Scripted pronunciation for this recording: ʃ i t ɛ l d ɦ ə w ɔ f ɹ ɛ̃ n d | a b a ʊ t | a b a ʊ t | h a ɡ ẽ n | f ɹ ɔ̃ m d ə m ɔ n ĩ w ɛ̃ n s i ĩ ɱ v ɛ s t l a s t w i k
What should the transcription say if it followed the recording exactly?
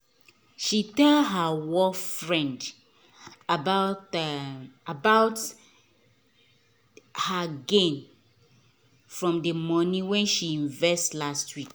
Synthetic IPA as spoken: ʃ i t ɛ l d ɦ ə w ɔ f ɹ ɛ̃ n d | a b a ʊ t | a b a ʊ t | h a ɡ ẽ n | f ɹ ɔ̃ m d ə m ɔ n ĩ w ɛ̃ n ʃ i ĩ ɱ v ɛ s t l a s t w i k